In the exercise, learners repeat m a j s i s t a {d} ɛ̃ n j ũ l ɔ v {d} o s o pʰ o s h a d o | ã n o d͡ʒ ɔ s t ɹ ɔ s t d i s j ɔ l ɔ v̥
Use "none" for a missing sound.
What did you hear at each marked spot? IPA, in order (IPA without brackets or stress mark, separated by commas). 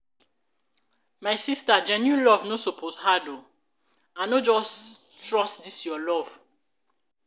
d͡ʒ, n